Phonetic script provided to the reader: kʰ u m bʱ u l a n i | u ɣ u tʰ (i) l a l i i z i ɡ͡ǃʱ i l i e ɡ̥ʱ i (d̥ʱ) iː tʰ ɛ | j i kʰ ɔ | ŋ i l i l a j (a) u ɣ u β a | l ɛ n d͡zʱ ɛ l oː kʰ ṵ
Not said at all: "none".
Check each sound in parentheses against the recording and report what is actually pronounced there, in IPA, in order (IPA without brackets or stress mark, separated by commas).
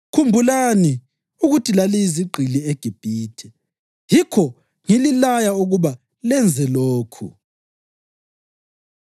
i, b̥ʱ, a